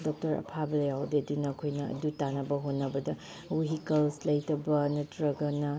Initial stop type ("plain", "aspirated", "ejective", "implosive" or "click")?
plain